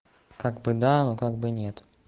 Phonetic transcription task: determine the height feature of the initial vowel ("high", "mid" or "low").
low